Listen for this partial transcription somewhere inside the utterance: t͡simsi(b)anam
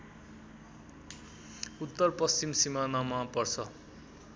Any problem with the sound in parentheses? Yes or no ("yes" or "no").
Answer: yes